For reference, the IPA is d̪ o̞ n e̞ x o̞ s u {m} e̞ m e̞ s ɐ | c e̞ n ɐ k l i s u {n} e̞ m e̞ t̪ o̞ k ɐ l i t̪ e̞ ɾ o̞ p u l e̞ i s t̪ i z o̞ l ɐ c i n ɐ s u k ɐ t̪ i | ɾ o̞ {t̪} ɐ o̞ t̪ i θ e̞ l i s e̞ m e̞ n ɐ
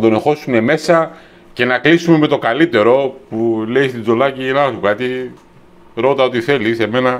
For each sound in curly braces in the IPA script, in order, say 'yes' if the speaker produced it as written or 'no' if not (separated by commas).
no, no, yes